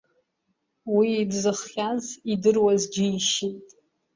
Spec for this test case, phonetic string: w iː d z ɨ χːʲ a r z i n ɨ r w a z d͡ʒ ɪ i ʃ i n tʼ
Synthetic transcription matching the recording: w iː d z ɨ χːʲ a z i d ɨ r w a z d͡ʒ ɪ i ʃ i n tʼ